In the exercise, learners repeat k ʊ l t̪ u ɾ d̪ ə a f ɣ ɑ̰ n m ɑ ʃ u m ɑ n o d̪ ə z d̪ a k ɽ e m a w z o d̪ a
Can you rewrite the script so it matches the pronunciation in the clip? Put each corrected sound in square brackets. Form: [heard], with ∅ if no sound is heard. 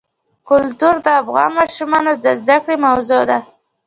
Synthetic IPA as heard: k ʊ l t̪ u ɾ d̪ ə a f ɣ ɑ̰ n m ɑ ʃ u m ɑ n o d̪ ə z d̪ a k ɽ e m a w z o d̪ a

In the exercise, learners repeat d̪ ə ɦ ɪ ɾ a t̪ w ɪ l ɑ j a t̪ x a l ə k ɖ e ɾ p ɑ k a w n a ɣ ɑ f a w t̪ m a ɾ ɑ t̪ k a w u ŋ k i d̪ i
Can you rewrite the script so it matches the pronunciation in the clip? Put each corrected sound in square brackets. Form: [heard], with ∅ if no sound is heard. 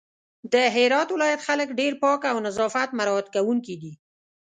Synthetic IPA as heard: d̪ ə ɦ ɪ ɾ [ɑ] t̪ w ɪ l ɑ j a t̪ x a l ə k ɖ e ɾ p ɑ k a w n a [z] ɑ f a [∅] t̪ m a ɾ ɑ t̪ k a w u ŋ k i d̪ i

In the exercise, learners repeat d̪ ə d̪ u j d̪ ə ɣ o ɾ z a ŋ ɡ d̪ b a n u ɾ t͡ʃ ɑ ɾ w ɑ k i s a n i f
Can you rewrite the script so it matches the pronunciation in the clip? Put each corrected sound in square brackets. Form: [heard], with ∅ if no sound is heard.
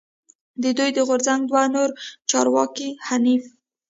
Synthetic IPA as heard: d̪ ə d̪ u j d̪ ə ɣ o ɾ z a ŋ ɡ d̪ [w] a n [o] ɾ t͡ʃ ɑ ɾ w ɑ k i [h] a n i f

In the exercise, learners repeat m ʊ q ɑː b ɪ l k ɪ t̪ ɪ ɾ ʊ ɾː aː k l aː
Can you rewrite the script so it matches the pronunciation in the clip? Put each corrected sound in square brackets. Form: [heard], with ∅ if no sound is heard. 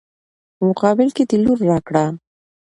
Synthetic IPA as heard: m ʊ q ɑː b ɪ l k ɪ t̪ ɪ [l] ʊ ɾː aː k [ɽ] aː

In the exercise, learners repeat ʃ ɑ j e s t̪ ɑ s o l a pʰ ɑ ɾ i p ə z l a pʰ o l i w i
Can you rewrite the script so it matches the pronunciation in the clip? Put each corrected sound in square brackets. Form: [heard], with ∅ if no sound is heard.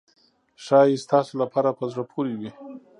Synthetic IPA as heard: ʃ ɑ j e s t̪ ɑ s o l a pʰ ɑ ɾ [a] p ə z [ɽ] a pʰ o [ɾ] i w i

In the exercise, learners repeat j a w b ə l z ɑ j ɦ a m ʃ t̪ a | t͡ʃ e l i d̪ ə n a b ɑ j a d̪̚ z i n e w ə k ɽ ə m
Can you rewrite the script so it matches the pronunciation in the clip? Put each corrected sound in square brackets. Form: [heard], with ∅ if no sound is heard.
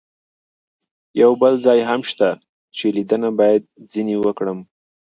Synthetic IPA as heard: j a w b ə l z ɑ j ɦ a m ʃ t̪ a | t͡ʃ e l i d̪ ə n a b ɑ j a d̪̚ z i n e w ə k ɽ ə m

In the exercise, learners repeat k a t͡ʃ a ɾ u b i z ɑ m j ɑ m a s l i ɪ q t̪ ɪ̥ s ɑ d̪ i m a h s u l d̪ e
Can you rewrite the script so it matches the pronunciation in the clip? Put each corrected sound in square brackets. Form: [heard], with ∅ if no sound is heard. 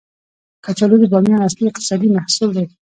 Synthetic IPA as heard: k a t͡ʃ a [l] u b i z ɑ m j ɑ [n] a s l i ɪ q t̪ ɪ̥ s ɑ d̪ i m a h s u l d̪ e

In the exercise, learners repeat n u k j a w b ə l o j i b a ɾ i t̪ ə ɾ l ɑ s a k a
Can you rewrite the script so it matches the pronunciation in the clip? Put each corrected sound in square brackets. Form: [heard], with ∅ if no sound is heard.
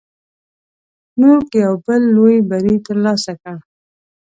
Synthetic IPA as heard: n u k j a w b ə [lː] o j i b a ɾ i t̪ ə ɾ l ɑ s a k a

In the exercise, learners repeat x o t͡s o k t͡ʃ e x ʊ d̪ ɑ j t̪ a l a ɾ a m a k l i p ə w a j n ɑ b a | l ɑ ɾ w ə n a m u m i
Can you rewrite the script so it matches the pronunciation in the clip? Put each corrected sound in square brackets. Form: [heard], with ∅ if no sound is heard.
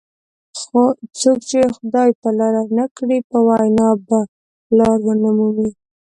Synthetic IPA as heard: x o t͡s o k t͡ʃ e x ʊ d̪ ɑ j t̪ a l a ɾ a [n] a k [ɽ] i p ə w a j n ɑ b a | l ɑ ɾ w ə n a m u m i

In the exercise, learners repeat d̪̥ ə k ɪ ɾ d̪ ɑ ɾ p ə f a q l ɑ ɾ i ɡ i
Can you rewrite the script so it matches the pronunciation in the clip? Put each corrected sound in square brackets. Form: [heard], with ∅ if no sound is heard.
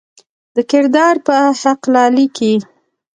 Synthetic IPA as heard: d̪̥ ə k ɪ ɾ d̪ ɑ ɾ p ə [h] a q l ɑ [l] i [k] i

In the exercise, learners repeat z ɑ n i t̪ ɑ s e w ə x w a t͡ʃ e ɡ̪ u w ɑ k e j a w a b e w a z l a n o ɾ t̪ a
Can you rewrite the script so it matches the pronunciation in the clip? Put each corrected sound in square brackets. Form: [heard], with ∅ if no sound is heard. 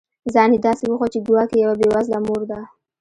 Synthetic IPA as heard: z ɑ n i [d̪] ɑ s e w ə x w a t͡ʃ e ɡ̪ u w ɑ k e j a w a b e w a z l a [m] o ɾ [d̪] a

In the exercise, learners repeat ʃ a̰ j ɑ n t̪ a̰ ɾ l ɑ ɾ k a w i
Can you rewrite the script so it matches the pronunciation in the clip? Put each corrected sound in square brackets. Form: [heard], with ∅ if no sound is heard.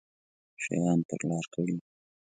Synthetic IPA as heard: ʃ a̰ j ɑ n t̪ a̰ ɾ l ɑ ɾ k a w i

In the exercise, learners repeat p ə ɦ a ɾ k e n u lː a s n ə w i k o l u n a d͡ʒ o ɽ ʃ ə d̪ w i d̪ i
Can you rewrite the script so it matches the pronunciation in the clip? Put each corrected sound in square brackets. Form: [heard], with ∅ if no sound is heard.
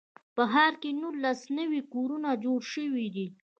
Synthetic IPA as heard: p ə ɦ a ɾ k e n u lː a s n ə w i k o [ɾ] u n a d͡ʒ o ɽ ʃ ə [∅] w i d̪ i

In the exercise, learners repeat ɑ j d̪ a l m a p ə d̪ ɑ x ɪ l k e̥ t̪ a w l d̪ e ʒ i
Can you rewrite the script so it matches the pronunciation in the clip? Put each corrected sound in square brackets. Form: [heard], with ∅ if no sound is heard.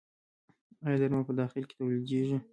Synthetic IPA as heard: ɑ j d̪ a [ɾ] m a p ə d̪ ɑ x ɪ l k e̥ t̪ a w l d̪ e ʒ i

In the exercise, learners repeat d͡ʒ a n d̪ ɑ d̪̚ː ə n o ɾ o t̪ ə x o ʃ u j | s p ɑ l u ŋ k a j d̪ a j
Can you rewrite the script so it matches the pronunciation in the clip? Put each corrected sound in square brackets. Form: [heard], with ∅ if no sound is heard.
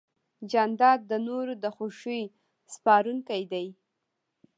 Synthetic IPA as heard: d͡ʒ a n d̪ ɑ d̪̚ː ə n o ɾ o [d̪] ə x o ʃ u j | s p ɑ [ɾ] u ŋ k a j d̪ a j

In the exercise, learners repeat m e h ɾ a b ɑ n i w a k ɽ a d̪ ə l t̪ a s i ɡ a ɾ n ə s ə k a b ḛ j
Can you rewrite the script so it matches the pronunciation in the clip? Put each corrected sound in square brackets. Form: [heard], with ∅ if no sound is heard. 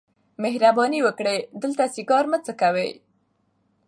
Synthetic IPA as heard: m e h ɾ a b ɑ n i w [ə] k ɽ [e] d̪ ə l t̪ a s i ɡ [ɑ] ɾ [m] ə [t͡s] ə k a [w] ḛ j

